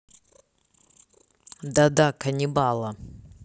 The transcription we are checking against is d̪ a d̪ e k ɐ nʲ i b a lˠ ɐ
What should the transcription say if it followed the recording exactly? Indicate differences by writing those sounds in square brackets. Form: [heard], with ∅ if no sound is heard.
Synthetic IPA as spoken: d̪ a d̪ [a] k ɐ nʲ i b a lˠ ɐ